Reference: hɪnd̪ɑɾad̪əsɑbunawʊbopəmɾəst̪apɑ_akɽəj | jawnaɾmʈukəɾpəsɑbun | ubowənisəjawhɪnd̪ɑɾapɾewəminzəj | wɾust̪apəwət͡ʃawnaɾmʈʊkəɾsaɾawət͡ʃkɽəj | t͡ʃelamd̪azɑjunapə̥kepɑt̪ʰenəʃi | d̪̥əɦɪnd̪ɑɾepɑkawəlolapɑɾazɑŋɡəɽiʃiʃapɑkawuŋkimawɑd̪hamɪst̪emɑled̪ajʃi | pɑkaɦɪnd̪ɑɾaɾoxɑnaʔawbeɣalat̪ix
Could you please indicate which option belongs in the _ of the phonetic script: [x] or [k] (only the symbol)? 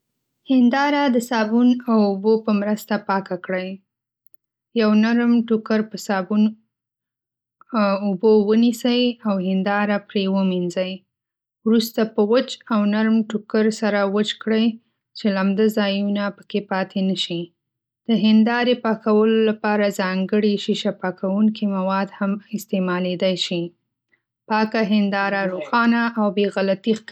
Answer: k